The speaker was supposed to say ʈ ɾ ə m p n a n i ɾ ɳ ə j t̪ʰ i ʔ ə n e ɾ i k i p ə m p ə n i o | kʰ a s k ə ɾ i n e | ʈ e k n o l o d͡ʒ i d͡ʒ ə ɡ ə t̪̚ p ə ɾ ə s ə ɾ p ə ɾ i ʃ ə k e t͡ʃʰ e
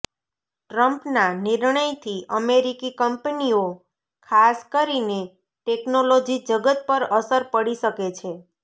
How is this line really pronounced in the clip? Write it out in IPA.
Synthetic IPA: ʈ ɾ ə m p n a n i ɾ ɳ ə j t̪ʰ i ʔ ə m e ɾ i k i k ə m p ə n i o | kʰ a s k ə ɾ i n e | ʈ e k n o l o d͡ʒ i d͡ʒ ə ɡ ə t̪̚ p ə ɾ ə s ə ɾ p ə ɽ i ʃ ə k e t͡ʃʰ e